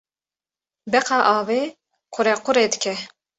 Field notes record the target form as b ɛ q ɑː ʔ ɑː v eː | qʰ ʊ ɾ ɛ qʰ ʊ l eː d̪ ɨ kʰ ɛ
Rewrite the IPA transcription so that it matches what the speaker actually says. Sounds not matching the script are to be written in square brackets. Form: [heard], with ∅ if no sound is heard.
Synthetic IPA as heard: b ɛ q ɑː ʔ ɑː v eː | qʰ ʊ ɾ ɛ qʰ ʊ [ɾ] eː d̪ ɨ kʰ ɛ